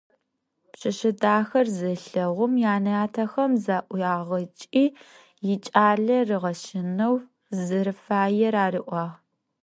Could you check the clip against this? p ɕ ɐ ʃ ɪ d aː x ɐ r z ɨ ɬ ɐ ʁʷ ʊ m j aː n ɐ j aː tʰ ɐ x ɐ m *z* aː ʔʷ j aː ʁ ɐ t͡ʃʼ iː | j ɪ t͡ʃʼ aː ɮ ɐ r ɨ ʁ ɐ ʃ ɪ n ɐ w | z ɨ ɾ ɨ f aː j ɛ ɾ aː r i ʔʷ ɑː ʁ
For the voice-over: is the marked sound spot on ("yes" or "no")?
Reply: yes